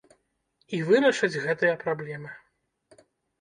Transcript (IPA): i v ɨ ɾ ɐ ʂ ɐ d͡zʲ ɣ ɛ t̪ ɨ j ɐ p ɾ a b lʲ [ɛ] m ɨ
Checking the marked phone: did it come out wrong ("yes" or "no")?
no